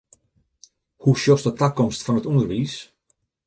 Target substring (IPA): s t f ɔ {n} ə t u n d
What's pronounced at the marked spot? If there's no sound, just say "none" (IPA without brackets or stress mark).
n